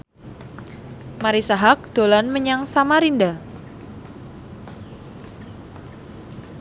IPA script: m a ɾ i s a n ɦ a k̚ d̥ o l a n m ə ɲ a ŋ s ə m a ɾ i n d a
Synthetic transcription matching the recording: m a ɾ i s a ɦ a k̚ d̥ o l a n m ə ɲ a ŋ s a m a ɾ i n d a